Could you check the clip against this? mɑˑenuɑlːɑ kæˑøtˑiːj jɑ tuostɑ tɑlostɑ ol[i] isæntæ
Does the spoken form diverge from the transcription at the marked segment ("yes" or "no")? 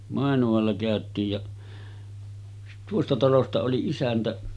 no